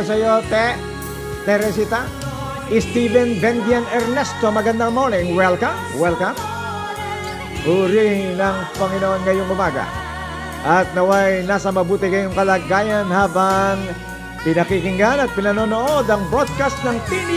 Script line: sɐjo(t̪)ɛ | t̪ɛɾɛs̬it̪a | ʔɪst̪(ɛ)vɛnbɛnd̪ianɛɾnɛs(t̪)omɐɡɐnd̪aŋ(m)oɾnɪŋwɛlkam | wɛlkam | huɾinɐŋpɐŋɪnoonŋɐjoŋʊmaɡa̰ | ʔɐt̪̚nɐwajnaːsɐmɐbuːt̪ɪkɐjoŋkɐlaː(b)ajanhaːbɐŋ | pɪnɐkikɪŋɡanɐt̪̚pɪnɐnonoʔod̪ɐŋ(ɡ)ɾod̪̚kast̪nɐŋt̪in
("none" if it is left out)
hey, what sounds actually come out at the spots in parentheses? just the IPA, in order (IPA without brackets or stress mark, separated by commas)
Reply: t̪, i, t̪, m, ɡ, b